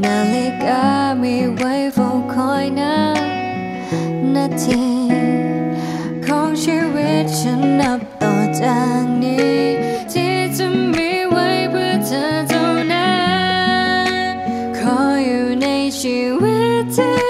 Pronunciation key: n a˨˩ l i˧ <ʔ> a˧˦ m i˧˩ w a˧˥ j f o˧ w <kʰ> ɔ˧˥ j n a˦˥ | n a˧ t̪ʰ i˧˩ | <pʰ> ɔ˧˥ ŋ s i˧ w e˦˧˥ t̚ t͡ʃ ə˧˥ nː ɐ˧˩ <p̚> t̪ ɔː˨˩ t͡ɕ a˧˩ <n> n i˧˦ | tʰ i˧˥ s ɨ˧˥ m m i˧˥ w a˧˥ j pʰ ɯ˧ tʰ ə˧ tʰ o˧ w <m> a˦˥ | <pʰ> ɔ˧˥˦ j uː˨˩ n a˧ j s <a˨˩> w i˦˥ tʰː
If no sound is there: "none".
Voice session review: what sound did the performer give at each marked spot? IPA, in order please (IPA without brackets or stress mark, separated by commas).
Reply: k, kʰ, kʰ, p̚, ŋ, n, kʰ, i˨˩